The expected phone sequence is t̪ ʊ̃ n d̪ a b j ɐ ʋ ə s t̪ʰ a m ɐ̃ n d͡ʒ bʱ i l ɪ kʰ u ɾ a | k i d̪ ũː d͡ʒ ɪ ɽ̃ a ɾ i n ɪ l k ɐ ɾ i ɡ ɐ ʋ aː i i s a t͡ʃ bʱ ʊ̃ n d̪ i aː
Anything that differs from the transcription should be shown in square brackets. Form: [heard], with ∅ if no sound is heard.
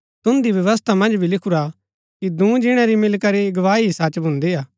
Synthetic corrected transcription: t̪ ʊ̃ n d̪ [i] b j ɐ ʋ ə s t̪ʰ a m ɐ̃ n d͡ʒ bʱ i l ɪ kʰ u ɾ a | k i d̪ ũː d͡ʒ ɪ ɽ̃ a ɾ i [m] ɪ l k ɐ ɾ i ɡ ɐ ʋ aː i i s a t͡ʃ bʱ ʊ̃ n d̪ i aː